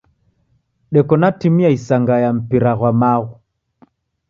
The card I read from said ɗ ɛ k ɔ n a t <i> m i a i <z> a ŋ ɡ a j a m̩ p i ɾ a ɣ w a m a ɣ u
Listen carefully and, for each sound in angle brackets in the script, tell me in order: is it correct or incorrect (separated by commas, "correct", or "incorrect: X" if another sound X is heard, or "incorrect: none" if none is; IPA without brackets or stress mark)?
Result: correct, incorrect: s